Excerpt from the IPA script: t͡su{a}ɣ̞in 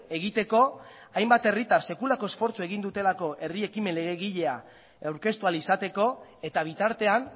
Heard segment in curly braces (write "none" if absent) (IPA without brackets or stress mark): e